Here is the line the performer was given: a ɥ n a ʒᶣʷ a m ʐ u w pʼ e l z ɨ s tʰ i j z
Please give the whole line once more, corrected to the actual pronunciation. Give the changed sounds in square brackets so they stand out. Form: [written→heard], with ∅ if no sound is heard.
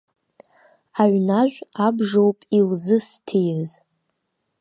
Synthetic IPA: a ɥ n a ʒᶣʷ a [m→b] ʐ [u→o] w pʼ [e→i] l z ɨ s tʰ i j z